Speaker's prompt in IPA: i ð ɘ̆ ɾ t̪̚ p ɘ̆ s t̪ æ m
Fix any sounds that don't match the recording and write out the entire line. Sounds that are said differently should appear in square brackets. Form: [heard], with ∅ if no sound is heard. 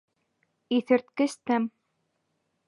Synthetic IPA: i [θ] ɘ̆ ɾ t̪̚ [k] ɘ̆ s t̪ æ m